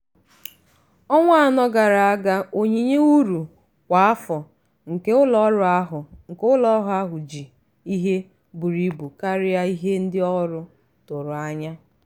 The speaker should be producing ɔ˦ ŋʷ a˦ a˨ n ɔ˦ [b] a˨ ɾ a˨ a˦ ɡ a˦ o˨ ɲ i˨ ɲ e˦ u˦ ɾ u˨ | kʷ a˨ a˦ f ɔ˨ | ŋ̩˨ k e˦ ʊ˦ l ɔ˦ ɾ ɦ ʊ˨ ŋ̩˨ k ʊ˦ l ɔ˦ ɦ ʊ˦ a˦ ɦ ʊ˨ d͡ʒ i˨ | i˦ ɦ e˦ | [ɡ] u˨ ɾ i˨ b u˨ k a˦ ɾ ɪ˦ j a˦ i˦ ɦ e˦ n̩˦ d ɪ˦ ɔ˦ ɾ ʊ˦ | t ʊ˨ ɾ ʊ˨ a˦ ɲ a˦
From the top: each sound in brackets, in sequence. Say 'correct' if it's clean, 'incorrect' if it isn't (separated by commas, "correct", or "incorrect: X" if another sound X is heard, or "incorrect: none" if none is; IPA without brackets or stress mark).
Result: incorrect: ɡ, incorrect: b